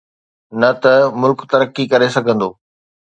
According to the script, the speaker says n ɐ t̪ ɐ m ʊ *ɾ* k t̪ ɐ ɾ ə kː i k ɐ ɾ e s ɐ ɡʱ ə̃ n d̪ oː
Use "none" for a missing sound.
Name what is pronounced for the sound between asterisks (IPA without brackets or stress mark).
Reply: l